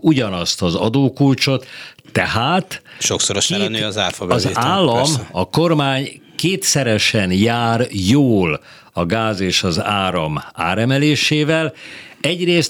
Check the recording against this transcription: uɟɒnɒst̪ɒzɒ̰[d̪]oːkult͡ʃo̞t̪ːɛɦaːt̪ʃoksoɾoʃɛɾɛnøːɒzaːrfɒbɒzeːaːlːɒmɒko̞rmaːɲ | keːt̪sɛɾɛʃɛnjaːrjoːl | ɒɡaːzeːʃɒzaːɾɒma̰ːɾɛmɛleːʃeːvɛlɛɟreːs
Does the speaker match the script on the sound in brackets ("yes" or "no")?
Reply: yes